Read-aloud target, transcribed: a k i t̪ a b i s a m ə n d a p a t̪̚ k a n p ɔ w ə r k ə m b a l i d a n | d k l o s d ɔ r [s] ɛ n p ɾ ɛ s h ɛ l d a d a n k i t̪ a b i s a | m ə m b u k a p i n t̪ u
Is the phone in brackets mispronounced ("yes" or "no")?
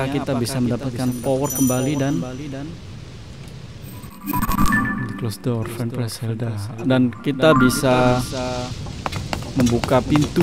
yes